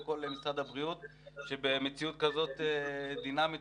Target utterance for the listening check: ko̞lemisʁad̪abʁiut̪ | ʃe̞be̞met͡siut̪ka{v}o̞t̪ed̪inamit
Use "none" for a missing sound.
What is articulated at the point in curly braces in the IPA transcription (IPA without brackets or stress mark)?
z